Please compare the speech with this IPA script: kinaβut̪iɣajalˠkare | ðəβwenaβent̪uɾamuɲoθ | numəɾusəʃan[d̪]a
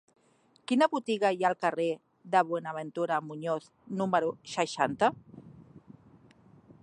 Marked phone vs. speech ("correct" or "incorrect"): incorrect